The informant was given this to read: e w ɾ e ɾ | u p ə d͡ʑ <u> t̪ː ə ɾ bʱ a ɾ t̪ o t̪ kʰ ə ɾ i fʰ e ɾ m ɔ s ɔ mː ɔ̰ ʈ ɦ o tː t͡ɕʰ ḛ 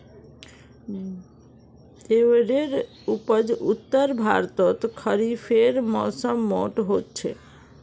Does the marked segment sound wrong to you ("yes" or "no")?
no